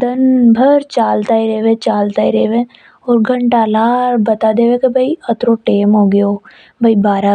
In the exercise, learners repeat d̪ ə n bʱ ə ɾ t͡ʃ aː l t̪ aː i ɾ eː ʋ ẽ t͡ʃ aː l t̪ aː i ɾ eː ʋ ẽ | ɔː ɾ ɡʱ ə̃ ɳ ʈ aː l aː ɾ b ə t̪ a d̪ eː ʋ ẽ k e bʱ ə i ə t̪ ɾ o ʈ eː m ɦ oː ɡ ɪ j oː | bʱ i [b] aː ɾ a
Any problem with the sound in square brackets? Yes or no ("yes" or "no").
no